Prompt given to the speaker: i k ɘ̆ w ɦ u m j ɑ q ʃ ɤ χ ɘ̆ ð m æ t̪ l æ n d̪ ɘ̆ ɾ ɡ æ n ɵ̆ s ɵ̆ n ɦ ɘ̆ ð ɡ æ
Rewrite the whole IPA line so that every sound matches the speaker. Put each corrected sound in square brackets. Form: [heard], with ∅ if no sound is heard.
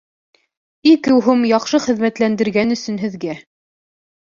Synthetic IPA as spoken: i k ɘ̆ w ɦ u m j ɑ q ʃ ɤ χ ɘ̆ ð m æ t̪ l æ n d̪ ɘ̆ ɾ ɡ æ n ɵ̆ s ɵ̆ n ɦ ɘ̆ ð ɡ æ

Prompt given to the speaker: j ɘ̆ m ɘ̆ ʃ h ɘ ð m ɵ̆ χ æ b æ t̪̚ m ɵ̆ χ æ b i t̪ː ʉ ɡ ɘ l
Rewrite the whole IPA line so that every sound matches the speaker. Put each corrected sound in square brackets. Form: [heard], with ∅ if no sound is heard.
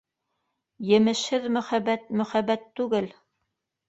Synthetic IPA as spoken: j ɘ̆ m ɘ̆ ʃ h ɘ ð m ɵ̆ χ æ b æ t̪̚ m ɵ̆ χ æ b [æ] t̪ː ʉ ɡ ɘ l

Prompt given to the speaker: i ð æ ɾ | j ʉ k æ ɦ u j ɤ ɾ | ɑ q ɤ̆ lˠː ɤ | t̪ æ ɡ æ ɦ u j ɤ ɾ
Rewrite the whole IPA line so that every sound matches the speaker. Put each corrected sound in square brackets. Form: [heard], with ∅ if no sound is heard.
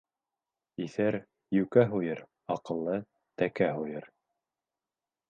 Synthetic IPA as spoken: i [θ] æ ɾ | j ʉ k æ ɦ u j ɤ ɾ | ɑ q ɤ̆ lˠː ɤ | t̪ æ [k] æ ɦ u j ɤ ɾ

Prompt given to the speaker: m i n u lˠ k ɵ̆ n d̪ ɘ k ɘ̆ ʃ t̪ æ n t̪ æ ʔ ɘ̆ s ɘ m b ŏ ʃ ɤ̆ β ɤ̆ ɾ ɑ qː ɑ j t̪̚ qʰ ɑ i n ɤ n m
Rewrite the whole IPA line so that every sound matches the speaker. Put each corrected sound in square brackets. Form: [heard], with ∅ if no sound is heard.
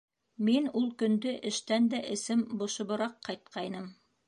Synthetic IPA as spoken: m i n u lˠ k ɵ̆ n d̪ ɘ [ʔ] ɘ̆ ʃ t̪ æ n [d̪] æ ʔ ɘ̆ s ɘ m b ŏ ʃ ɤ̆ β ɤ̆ ɾ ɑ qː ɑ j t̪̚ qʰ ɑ [j] n ɤ [∅] m

